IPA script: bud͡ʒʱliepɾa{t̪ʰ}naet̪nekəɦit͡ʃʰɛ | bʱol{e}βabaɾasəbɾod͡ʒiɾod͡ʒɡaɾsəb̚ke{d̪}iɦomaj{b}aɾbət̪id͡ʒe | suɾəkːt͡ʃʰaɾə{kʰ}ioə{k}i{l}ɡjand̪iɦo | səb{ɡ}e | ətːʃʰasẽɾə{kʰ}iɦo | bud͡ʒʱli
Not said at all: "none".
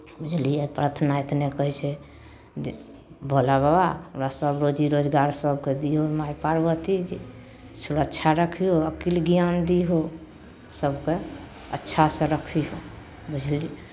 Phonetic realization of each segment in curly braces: t̪ʰ, a, d̪, p, kʰ, k, l, k, kʰ

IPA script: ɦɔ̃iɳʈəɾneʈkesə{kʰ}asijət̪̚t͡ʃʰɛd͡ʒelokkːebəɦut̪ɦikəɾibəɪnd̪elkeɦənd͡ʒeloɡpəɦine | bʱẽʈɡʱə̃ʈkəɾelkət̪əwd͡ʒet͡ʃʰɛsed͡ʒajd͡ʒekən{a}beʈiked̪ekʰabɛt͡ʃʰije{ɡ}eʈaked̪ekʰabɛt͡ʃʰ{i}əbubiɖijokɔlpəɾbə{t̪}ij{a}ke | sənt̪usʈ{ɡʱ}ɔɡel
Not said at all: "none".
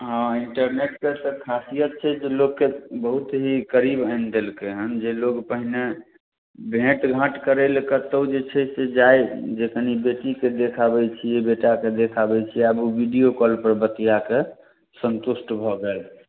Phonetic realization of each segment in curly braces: kʰ, i, b, i, t̪, a, bʱ

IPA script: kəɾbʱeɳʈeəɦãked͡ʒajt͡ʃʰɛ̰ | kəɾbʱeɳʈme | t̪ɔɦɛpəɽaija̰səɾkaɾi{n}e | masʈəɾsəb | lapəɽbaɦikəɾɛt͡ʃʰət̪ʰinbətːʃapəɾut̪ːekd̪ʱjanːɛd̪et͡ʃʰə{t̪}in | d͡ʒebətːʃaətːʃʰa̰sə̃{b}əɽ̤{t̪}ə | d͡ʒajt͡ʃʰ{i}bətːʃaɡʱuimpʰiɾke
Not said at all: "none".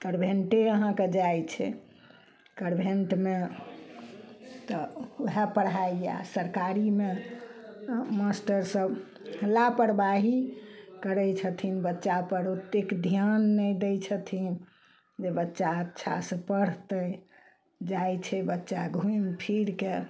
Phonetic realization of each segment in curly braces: m, t̪ʰ, p, t̪, ɛ

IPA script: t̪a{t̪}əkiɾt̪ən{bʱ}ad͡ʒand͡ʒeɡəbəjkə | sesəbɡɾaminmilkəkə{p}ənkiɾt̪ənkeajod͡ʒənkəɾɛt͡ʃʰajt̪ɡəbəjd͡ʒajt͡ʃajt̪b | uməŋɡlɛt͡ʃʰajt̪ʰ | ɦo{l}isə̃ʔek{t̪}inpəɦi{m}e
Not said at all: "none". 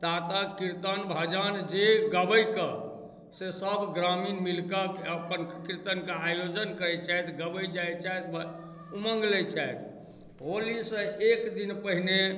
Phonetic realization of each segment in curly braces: t̪, bʱ, p, l, d̪, n

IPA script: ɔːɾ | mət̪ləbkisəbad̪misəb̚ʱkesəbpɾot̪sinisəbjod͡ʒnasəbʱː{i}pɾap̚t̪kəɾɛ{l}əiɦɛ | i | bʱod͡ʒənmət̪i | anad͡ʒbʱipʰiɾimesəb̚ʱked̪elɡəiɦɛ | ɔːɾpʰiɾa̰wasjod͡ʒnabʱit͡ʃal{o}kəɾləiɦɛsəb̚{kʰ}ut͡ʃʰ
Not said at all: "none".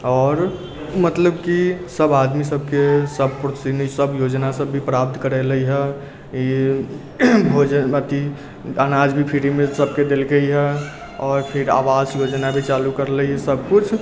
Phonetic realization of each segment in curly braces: i, l, u, k

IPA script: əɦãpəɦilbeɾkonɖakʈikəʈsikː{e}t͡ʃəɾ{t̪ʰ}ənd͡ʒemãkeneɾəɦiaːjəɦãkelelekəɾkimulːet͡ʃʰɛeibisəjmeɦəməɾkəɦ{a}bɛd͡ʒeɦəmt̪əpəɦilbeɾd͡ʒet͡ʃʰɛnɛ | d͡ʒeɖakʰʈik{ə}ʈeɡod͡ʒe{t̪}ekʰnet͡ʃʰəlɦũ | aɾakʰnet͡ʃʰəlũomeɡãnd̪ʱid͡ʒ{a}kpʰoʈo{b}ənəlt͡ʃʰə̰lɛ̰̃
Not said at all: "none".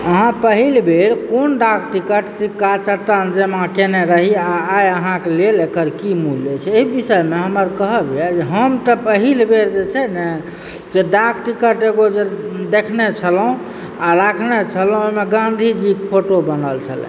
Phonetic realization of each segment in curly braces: a, t̪, ə, ə, d̪, i, b

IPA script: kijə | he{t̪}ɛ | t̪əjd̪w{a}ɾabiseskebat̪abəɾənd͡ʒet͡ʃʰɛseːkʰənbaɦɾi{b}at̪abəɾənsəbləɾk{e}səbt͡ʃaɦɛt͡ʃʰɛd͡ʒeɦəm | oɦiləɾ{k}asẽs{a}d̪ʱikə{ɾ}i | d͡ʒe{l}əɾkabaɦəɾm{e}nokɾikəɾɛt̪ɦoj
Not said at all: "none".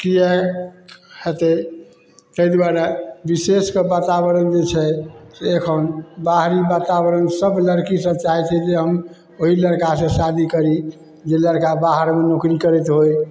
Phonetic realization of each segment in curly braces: t̪, a, b, i, k, a, ɾ, l, e

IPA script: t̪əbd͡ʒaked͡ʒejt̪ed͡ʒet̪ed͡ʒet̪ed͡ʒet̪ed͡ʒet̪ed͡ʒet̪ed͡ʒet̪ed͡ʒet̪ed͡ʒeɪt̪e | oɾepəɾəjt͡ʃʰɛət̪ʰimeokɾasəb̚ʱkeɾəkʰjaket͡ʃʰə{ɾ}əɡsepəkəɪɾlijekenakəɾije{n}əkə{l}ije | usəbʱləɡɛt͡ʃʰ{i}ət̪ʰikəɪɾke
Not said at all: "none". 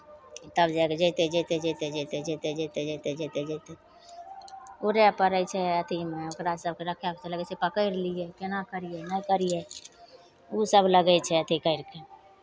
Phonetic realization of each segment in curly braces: l, n, ɾ, ɛ

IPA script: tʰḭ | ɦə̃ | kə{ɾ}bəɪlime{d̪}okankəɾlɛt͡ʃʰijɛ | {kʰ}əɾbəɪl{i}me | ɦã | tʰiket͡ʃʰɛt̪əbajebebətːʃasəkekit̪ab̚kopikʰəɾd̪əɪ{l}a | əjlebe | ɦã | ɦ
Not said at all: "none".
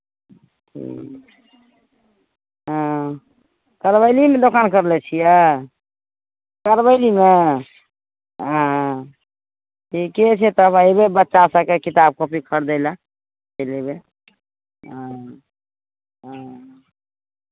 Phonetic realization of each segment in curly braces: ɾ, d̪, k, i, l

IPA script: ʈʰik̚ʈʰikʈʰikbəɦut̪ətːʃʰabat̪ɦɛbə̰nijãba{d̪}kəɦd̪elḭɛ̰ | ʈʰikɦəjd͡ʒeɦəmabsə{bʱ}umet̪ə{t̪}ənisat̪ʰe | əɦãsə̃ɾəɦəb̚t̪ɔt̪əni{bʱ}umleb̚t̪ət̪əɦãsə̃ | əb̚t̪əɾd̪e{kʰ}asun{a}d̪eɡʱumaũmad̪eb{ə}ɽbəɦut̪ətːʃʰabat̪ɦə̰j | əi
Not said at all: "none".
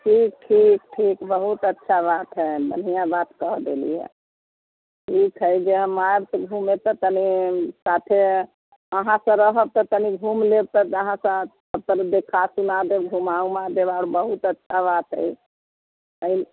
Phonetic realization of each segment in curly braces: t̪, ɡʱ, t̪, ɡʱ, kʰ, a, a

